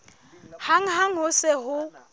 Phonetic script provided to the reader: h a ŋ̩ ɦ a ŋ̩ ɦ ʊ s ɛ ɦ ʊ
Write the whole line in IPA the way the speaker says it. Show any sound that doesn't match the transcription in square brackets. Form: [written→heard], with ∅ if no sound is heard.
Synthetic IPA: h a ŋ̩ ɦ a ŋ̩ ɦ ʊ s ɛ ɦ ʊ